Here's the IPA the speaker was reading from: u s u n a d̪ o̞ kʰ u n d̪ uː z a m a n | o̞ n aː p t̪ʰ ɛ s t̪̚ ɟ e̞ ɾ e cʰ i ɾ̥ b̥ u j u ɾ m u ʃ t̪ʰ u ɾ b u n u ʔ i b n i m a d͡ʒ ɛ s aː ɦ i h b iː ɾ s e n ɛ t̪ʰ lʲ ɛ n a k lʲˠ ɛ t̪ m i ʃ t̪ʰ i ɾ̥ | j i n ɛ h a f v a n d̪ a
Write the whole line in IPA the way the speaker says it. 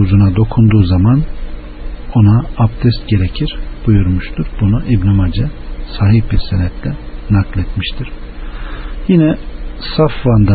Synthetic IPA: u z u n a d̪ o̞ kʰ u n d̪ uː z a m a n | o̞ n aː p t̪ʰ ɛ s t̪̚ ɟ e̞ ɾ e cʰ i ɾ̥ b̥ u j u ɾ m u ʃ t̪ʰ u ɾ b u n u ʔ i b n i m a d͡ʒ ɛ s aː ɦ i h b i ɾ s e n ɛ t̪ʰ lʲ ɛ n a k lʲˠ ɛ t̪ m i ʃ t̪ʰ i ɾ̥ | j i n ɛ s a f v a n d̪ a